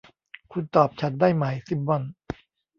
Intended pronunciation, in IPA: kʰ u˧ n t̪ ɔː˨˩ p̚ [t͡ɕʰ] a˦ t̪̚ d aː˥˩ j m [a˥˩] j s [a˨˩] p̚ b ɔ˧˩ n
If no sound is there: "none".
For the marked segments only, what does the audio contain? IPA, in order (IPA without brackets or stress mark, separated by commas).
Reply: t͡ɕʰ, a˨˩, i˨˩